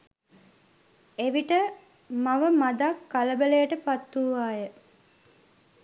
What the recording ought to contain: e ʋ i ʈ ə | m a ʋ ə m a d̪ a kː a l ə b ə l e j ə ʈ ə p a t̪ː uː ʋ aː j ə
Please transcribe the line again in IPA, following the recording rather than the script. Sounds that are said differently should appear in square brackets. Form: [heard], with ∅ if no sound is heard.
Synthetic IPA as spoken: e ʋ i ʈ ə | m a ʋ ə m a d̪ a kː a l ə b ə l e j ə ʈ ə p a t̪ː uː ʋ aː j ə